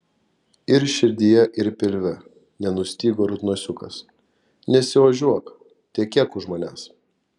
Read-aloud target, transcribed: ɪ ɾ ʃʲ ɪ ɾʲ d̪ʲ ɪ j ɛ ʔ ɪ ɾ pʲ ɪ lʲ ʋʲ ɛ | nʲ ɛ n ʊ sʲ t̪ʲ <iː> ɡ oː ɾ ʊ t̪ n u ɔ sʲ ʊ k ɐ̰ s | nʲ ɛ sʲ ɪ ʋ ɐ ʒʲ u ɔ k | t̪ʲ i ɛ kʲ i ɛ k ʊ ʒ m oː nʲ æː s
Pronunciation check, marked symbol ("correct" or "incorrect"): correct